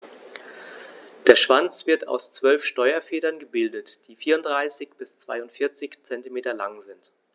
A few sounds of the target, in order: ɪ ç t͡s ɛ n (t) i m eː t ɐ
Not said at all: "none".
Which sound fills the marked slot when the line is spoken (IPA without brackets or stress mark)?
t